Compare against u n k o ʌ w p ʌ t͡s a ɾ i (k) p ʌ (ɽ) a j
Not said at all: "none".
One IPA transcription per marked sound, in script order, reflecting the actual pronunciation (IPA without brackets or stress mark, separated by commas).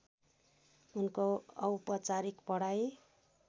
k, ɽ